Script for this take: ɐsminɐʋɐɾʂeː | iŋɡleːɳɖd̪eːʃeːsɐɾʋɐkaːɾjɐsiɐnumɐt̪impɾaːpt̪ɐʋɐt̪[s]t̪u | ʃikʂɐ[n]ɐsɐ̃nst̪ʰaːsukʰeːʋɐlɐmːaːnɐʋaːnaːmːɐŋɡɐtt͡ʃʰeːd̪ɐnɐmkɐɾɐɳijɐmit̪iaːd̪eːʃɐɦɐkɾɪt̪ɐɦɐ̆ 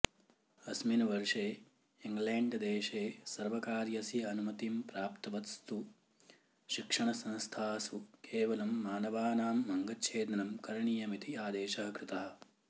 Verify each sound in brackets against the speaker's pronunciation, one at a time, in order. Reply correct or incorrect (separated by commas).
correct, incorrect